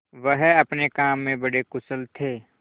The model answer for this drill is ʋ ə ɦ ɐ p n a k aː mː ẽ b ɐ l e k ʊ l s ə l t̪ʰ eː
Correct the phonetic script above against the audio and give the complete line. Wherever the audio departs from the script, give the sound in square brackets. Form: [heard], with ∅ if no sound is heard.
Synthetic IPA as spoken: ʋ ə ɦ ɐ p n [e] k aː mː ẽ b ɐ [ɽ] e k ʊ [∅] s ə l t̪ʰ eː